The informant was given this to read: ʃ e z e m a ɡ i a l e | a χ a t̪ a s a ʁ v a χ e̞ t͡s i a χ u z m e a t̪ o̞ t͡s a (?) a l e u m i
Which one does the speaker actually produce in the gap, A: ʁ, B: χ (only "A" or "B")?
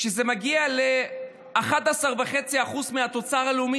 A